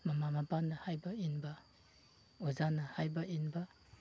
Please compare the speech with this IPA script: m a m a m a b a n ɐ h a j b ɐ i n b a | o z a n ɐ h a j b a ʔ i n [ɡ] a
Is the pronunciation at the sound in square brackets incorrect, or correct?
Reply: incorrect